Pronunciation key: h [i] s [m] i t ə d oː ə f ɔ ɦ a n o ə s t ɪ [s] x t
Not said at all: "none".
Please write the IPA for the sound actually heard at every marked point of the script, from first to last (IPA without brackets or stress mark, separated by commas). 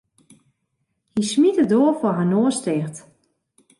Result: i, m, none